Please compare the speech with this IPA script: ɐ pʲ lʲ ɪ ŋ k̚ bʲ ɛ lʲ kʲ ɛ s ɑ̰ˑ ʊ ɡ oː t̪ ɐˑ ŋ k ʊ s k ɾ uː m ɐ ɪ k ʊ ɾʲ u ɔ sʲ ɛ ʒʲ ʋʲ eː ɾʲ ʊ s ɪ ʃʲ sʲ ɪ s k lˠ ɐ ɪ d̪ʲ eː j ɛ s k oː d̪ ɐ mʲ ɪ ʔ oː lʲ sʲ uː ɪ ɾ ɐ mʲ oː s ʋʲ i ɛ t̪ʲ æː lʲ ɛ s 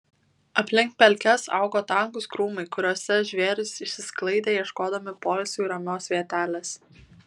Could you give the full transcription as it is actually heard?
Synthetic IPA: ɐ pʲ lʲ ɪ ŋ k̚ pʲ ɛ lʲ kʲ ɛ s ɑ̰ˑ ʊ ɡ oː t̪ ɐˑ ŋ k ʊ s k ɾ uː m ɐ ɪ k ʊ ɾʲ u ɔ sʲ ɛ ʒʲ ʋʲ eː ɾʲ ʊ s ɪ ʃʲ sʲ ɪ s k lˠ ɐ ɪ d̪ʲ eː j ɛ ʃ k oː d̪ ɐ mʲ ɪ p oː lʲ sʲ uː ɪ ɾ ɐ mʲ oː s ʋʲ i ɛ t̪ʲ æː lʲ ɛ s